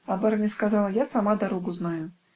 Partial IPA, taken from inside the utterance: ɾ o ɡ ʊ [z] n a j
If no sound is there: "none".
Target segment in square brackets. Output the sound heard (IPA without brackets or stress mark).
z